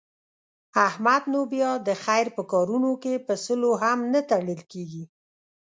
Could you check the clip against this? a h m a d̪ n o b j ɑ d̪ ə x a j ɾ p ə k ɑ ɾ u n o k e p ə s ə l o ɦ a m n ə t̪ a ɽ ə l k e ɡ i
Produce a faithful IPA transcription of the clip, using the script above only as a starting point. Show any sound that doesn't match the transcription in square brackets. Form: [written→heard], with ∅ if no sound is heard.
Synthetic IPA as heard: a h m a d̪ n o b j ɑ d̪ ə x a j ɾ p ə k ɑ ɾ u n o k e p ə s ə l o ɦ a m n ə t̪ a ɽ ə l k e ɡ i

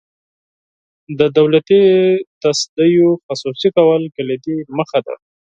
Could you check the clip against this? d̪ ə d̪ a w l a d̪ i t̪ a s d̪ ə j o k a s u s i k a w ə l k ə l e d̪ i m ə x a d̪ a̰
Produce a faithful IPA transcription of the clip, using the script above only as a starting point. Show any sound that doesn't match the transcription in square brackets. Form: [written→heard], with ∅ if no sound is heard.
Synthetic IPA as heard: d̪ ə d̪ a w l a [d̪→t̪] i t̪ a s d̪ ə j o [k→x] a s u s i k a w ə l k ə l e d̪ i m ə x a d̪ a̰

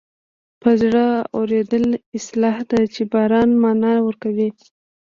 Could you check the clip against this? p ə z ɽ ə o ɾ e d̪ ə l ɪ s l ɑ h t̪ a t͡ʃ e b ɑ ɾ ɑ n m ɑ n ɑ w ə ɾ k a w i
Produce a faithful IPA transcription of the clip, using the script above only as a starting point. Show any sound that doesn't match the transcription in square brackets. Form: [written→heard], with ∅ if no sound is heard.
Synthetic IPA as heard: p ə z ɽ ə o ɾ e d̪ ə l ɪ s l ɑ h [t̪→d̪] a t͡ʃ e b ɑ ɾ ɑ n m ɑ n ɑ w ə ɾ k a w i

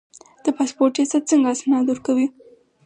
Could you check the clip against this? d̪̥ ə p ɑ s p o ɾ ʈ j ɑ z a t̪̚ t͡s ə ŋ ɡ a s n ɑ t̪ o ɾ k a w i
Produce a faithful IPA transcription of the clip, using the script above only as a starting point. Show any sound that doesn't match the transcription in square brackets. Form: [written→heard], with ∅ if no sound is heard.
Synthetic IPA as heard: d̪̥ ə p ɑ s p o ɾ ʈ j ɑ [z→s] a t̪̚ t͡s ə ŋ ɡ a s n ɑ [t̪→d̪] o ɾ k a w i

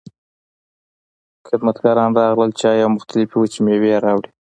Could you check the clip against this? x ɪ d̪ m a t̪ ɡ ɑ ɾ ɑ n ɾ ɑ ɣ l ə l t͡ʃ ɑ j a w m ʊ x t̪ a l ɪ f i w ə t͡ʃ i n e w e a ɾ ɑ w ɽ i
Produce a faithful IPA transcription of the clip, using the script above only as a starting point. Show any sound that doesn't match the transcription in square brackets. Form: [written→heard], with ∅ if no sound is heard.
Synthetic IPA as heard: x ɪ d̪ m a t̪ ɡ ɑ ɾ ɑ n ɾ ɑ ɣ l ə l t͡ʃ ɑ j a w m ʊ x t̪ a l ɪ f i w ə t͡ʃ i [n→m] e w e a ɾ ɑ w ɽ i

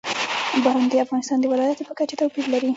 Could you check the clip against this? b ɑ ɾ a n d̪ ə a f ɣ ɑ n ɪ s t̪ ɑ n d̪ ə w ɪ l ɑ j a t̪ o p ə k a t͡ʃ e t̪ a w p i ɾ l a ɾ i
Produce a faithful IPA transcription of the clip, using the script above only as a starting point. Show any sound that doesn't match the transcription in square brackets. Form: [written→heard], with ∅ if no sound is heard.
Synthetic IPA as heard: b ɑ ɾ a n d̪ ə a f ɣ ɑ n ɪ s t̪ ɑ n d̪ ə w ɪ l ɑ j a t̪ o p ə k a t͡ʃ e t̪ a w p i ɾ l a ɾ i

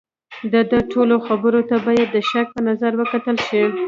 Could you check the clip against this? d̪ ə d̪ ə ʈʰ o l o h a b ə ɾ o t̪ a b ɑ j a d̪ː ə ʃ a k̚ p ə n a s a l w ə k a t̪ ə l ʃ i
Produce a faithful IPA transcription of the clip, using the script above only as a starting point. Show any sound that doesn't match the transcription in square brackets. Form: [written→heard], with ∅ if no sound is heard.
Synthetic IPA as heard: d̪ ə d̪ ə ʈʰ o l o [h→x] a b ə ɾ o t̪ a b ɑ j a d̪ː ə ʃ a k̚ p ə n a [s→z] a [l→ɾ] w ə k a t̪ ə l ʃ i

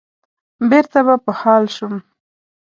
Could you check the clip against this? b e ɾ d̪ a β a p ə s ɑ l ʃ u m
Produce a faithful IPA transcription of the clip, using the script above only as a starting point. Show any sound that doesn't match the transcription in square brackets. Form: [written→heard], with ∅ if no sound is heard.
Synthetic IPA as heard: b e ɾ [d̪→t̪] a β a p ə [s→h] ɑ l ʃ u m

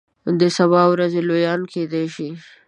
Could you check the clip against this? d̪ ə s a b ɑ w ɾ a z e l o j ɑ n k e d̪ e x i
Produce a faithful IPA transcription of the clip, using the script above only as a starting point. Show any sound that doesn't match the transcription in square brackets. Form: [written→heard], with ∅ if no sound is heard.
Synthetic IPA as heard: d̪ ə s a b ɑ w ɾ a z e l o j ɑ n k e d̪ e [x→ʃ] i

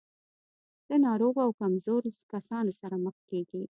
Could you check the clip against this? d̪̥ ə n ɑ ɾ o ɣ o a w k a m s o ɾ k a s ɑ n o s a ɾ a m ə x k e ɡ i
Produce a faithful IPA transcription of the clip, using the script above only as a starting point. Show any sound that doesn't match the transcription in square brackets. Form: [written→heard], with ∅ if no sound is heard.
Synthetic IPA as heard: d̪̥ ə n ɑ ɾ o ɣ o a w k a m [s→z] o ɾ k a s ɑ n o s a ɾ a m ə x k e ɡ i

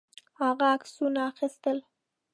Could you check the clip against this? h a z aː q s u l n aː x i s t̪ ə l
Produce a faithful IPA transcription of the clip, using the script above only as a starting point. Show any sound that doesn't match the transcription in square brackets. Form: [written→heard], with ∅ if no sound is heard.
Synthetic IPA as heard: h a [z→ɣ] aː [q→k] s u [l→∅] n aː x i s t̪ ə l

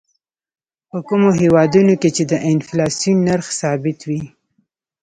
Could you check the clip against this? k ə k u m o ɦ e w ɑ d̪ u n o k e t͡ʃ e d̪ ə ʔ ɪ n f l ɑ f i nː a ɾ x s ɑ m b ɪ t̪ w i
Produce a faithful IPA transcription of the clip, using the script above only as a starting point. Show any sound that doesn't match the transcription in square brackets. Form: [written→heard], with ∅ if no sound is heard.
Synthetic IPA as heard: [k→p] ə k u m o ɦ e w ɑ d̪ u n o k e t͡ʃ e d̪ ə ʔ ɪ n f l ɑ [f→s] i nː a ɾ x s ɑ [m→∅] b ɪ t̪ w i

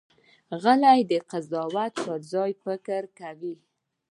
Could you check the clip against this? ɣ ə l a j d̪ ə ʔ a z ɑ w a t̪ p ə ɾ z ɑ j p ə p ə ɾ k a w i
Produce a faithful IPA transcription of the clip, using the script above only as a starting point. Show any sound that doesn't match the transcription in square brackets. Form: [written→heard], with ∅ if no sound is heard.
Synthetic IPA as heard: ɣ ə l a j d̪ ə [ʔ→q] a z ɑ w a t̪ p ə ɾ z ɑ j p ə [p→k] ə ɾ k a w i

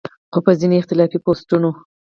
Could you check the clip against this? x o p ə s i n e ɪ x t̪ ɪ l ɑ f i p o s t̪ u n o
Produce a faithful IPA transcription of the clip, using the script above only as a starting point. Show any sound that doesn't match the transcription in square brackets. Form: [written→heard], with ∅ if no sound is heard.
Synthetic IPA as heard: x o p ə [s→z] i n e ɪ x t̪ ɪ l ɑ f i p o s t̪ u n o

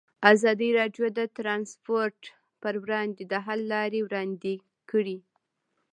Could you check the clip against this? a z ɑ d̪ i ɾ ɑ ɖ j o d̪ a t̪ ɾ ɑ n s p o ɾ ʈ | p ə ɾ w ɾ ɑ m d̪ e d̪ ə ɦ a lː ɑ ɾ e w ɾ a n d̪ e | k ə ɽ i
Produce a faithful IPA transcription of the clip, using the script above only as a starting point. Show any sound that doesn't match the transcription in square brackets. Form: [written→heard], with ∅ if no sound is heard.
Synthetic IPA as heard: a z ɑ d̪ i ɾ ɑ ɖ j o d̪ [a→ə] t̪ ɾ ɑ n s p o ɾ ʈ | p ə ɾ w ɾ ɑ [m→n] d̪ e d̪ ə ɦ a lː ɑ ɾ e w ɾ [a→ɑ] n d̪ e | k ə ɽ i

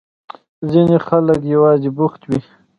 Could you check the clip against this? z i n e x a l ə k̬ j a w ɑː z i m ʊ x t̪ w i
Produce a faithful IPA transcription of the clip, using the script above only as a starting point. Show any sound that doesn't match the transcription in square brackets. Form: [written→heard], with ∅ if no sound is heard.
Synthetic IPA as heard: z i n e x a l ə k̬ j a w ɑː z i [m→b] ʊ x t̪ w i

